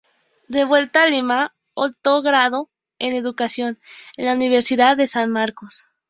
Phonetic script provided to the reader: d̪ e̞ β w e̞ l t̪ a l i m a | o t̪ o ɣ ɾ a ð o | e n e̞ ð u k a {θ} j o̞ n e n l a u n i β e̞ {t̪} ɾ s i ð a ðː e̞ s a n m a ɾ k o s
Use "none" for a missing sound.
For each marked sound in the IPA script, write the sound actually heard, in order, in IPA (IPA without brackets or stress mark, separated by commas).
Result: s, none